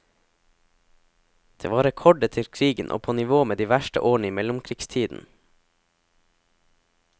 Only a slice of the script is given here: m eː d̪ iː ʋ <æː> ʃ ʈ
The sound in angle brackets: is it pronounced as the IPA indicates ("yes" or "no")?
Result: no